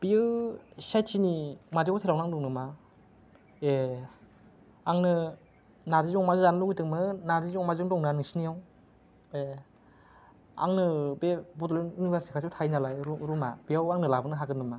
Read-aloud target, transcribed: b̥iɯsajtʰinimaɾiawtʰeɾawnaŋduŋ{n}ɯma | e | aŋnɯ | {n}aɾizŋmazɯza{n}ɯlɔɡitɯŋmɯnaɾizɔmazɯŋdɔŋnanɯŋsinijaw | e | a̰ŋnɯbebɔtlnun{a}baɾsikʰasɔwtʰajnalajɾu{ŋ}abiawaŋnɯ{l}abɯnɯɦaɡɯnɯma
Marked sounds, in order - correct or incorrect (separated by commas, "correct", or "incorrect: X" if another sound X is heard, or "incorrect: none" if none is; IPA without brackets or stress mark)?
correct, correct, correct, incorrect: i, incorrect: m, correct